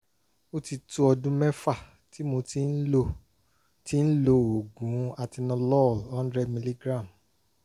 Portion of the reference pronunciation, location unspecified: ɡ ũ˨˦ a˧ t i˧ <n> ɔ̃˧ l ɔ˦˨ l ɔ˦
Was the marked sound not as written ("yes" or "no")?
no